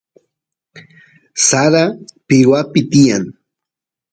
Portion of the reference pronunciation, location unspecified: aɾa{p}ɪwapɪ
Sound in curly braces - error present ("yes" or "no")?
no